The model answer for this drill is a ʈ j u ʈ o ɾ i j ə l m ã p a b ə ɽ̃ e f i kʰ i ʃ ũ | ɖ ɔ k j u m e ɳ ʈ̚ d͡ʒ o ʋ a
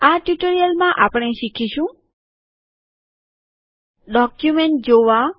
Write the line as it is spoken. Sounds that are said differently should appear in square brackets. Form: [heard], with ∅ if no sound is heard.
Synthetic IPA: a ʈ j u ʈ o ɾ i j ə l m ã [ʔ] a [p] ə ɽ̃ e [ʃ] i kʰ i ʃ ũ | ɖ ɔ k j u m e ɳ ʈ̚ d͡ʒ o ʋ a